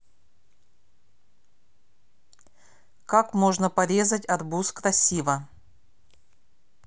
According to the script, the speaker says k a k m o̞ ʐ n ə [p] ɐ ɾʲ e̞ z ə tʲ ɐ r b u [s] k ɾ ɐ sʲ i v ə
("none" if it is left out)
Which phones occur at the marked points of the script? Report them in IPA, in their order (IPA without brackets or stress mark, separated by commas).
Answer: p, s